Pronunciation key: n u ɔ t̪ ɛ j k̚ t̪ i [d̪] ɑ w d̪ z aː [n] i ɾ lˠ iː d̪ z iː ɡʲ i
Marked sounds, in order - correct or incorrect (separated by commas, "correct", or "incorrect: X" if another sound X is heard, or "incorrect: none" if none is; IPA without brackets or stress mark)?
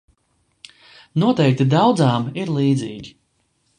correct, incorrect: m